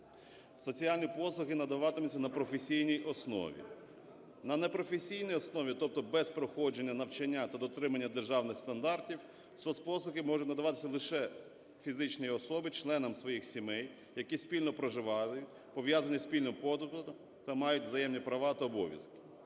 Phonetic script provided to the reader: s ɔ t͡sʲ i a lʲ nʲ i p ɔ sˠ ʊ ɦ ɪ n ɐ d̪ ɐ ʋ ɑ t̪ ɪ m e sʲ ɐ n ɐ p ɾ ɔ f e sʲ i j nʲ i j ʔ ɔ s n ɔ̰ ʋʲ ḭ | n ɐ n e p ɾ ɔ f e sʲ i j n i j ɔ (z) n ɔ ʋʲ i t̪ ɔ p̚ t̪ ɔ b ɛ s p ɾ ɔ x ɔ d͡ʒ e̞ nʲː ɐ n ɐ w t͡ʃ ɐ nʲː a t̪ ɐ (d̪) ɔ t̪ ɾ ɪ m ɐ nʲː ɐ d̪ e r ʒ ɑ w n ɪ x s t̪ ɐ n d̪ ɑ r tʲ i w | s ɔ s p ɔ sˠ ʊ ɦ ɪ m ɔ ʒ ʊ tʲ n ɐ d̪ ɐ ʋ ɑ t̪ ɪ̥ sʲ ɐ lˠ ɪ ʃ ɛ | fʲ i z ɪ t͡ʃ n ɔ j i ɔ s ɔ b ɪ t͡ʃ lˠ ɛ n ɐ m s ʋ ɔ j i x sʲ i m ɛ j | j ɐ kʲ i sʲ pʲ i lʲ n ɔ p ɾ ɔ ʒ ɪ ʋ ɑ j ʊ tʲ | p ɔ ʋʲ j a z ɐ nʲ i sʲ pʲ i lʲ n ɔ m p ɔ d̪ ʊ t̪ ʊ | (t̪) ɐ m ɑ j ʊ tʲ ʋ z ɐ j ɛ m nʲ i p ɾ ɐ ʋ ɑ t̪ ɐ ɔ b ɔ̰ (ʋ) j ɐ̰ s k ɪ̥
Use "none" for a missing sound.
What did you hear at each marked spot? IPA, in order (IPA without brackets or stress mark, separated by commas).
s, d̪, t̪, ʋ